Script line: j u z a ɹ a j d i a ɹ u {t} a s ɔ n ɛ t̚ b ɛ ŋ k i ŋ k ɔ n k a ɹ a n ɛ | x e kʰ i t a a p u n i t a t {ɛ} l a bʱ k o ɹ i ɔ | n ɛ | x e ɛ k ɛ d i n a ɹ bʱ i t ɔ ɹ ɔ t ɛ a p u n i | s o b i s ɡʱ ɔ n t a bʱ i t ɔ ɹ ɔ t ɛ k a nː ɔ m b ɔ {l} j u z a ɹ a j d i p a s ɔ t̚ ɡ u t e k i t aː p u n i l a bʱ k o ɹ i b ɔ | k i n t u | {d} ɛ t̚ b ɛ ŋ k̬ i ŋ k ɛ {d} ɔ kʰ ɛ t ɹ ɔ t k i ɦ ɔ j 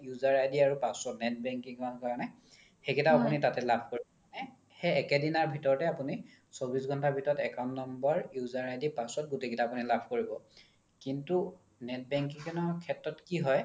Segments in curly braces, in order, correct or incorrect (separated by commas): incorrect, correct, incorrect, incorrect, incorrect